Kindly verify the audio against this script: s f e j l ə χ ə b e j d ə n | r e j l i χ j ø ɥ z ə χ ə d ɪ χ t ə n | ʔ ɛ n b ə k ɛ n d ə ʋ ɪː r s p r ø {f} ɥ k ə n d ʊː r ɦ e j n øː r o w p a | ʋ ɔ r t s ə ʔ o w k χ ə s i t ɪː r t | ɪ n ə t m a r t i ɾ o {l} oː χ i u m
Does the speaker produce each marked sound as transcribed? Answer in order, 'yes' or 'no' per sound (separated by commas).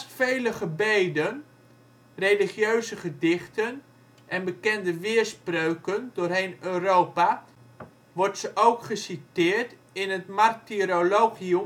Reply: no, yes